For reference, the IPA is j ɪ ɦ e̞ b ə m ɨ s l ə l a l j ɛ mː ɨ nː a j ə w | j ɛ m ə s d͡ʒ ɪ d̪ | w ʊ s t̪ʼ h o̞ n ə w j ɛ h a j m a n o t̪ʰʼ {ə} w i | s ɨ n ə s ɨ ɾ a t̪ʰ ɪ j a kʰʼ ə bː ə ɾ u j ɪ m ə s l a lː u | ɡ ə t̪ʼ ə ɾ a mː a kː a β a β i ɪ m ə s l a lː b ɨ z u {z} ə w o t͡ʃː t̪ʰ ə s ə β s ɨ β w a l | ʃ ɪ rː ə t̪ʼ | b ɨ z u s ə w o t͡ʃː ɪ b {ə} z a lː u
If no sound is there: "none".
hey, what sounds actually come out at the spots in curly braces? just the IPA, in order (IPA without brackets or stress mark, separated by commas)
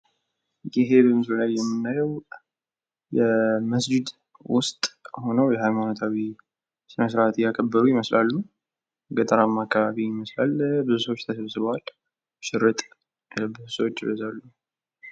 a, s, ə